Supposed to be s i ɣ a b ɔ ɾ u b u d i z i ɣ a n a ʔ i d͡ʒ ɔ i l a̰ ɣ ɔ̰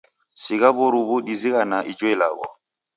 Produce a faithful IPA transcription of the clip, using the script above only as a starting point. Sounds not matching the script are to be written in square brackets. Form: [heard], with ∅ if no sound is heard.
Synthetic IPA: s i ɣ a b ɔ ɾ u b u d i z i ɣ a n a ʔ i d͡ʒ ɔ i l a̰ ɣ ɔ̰